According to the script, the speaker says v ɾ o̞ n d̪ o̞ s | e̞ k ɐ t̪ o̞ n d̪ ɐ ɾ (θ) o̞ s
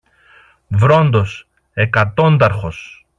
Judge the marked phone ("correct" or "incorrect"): incorrect